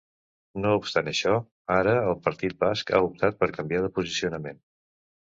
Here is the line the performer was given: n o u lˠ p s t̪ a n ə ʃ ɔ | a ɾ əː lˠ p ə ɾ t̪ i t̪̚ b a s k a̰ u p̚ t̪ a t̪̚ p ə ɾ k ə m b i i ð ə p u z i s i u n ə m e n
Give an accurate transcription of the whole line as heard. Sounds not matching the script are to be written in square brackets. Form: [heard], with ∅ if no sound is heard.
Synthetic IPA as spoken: n o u [∅] p s t̪ a n ə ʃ ɔ | a ɾ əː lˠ p ə ɾ t̪ i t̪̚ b a s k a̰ u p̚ t̪ a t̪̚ p ə ɾ k ə m b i [a] ð ə p u z i s i u n ə m e n